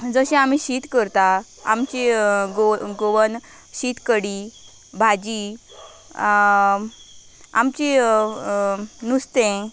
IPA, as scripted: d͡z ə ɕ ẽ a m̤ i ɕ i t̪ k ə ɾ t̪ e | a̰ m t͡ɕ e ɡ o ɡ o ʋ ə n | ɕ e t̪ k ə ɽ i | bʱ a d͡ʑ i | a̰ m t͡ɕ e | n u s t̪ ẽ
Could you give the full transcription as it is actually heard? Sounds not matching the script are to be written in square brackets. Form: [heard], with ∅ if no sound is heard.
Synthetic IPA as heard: d͡z ə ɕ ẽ a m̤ i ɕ i t̪ k ə ɾ t̪ [a] | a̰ m t͡ɕ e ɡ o ɡ o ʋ ə n | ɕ [i] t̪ k ə ɽ i | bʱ a d͡ʑ i | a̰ m t͡ɕ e | n u s t̪ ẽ